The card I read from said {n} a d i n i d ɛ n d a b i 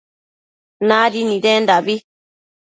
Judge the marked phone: correct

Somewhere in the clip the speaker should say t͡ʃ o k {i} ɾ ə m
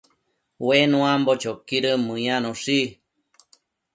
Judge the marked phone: correct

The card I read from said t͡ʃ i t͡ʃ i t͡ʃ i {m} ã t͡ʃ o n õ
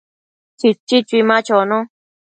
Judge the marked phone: correct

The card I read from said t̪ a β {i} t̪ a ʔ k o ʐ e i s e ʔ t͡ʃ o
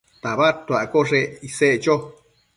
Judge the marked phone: incorrect: a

